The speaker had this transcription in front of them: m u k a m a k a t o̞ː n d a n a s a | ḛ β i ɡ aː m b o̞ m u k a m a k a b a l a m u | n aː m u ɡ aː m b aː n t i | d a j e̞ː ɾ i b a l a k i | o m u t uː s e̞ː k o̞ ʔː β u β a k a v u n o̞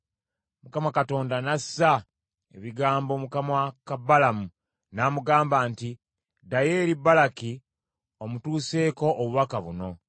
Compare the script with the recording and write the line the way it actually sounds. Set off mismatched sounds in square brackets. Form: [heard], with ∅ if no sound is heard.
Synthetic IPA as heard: m u k a m a k a t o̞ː n d a n a s a | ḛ β i ɡ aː m b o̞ m u k a m a k a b a l a m u | n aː m u ɡ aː m b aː n t i | d a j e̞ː ɾ i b a l a k i | o m u t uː s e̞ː k o̞ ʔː β u β a k a [β] u n o̞